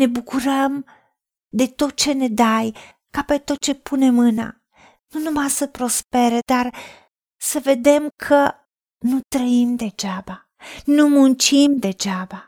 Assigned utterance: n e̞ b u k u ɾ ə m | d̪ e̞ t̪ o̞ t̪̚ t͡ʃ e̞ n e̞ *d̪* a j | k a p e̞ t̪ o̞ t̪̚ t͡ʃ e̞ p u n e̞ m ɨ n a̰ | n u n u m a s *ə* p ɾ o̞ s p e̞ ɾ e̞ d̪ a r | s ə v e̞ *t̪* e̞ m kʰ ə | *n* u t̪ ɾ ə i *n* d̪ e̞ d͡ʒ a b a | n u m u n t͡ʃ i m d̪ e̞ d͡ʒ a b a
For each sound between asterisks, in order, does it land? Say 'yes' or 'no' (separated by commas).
yes, yes, no, yes, no